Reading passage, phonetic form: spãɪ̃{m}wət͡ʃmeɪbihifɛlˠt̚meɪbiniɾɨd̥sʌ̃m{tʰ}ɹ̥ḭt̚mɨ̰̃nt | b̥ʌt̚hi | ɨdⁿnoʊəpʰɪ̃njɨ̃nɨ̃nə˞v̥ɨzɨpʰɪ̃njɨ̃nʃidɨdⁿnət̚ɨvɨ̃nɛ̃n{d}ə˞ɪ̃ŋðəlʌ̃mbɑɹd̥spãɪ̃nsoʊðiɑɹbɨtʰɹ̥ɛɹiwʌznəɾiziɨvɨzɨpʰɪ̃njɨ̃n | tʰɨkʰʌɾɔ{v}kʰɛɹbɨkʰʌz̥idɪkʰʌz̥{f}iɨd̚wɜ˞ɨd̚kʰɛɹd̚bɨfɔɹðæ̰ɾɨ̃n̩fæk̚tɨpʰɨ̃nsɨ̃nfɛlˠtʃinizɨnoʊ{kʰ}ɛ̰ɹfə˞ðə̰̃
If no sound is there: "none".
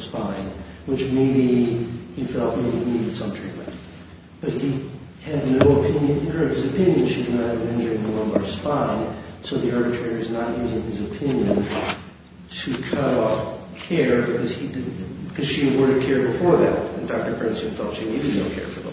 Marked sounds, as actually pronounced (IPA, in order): n, tʰ, d͡ʒ, f, ʃ, kʰ

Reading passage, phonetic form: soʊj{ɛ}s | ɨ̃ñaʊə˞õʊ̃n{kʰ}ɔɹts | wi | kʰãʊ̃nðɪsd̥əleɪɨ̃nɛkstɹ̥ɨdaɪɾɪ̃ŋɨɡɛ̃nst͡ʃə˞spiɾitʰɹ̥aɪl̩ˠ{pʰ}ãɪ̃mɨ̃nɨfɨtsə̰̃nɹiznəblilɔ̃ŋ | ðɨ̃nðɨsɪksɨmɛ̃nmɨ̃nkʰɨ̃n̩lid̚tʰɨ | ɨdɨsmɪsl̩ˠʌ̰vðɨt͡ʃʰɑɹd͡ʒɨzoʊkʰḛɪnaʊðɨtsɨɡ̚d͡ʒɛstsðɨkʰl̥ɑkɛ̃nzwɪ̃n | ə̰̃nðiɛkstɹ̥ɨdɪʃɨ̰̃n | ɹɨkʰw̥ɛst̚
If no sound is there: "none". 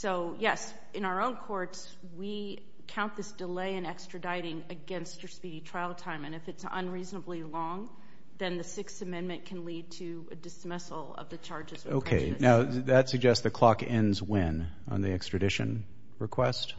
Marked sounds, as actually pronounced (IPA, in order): ɛ, kʰ, tʰ

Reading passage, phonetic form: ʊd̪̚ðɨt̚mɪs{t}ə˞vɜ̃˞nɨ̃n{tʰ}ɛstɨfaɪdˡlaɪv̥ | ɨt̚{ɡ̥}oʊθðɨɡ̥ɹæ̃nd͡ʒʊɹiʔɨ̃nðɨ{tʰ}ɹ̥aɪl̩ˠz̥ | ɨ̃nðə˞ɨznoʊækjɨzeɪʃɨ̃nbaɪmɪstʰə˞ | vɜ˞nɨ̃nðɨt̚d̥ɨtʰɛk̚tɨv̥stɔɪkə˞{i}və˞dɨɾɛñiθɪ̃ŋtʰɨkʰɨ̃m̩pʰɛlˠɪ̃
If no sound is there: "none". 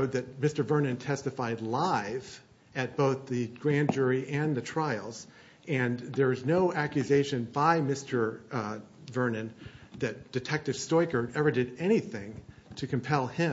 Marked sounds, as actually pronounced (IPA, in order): t, tʰ, b̥, tʰ, ɛ

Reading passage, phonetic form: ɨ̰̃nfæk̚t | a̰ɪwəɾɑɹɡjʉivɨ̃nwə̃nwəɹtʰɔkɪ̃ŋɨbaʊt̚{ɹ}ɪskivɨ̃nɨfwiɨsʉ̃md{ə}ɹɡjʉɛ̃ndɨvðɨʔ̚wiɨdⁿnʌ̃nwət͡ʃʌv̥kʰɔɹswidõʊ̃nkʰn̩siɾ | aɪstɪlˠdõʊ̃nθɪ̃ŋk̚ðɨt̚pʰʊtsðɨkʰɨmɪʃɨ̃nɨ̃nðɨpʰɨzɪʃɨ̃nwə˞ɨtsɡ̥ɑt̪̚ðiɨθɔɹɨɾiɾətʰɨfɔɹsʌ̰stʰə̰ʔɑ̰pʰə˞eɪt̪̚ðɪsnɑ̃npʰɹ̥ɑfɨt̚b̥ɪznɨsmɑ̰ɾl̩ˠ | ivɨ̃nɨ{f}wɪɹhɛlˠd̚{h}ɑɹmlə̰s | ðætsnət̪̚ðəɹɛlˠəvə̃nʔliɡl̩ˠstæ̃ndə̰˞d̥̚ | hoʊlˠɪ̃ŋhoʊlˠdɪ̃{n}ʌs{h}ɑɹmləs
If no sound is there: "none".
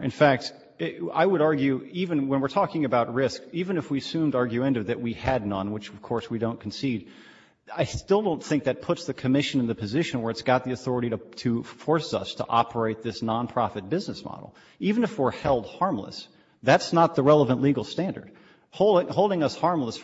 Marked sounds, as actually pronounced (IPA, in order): ɹ, ɑ, f, h, ŋ, h

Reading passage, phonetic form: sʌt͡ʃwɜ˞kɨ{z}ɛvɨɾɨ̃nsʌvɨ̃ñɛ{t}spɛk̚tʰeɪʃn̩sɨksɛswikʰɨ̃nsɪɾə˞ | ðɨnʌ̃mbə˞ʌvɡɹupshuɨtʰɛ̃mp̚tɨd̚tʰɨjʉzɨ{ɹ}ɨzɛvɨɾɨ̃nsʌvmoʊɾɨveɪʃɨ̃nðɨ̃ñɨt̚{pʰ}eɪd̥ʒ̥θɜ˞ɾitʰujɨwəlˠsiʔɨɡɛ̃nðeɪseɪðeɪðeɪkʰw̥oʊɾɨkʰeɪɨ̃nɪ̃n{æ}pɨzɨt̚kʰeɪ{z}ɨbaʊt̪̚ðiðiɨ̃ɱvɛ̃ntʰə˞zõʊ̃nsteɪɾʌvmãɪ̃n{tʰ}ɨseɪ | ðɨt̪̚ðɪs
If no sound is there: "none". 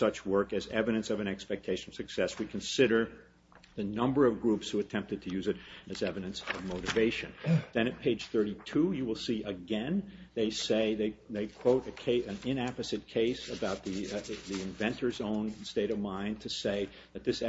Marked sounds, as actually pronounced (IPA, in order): z, k, ɾ, pʰ, æ, s, tʰ

